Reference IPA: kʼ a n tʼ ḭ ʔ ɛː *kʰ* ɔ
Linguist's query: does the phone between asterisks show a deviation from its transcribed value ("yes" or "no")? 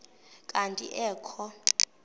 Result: no